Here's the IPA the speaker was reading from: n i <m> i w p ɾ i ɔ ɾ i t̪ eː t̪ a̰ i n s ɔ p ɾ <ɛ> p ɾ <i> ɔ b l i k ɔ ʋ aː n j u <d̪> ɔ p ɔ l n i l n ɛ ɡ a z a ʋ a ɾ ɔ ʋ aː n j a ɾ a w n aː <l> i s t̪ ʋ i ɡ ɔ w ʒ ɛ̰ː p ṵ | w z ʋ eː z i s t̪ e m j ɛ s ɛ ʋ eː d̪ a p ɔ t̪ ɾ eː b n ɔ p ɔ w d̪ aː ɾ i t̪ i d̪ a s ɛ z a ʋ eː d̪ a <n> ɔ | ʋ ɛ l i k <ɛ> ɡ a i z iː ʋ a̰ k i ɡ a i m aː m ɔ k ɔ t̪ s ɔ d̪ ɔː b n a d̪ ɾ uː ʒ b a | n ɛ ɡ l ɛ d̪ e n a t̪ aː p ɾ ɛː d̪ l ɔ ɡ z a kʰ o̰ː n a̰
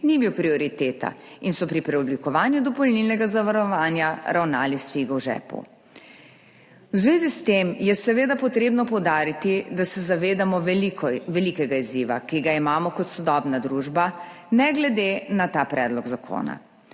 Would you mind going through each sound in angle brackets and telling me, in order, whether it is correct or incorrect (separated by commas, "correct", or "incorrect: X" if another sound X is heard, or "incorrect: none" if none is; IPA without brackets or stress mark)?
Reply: incorrect: b, incorrect: i, incorrect: ɛ, correct, correct, incorrect: m, correct